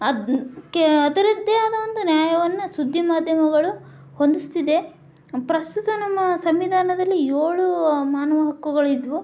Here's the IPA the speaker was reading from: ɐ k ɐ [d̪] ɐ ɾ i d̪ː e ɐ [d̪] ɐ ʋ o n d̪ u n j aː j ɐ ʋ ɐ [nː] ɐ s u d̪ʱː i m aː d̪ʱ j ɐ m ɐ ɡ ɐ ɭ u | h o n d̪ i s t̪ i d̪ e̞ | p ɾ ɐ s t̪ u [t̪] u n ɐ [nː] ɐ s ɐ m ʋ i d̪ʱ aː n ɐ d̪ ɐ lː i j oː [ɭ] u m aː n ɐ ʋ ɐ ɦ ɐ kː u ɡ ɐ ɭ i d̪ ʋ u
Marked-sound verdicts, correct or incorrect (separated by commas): correct, correct, correct, correct, incorrect, correct